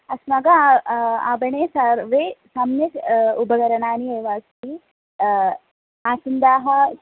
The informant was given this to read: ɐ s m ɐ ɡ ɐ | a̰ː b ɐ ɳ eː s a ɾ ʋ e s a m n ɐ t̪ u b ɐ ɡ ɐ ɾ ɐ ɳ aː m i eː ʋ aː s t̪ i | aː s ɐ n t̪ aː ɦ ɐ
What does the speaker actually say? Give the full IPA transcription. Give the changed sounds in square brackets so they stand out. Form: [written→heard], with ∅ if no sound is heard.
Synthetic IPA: ɐ s m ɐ ɡ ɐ | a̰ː b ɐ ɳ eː s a ɾ ʋ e s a m n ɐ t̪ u b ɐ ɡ ɐ ɾ ɐ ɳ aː [m→n] i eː ʋ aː s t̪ i | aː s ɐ n [t̪→d̪] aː ɦ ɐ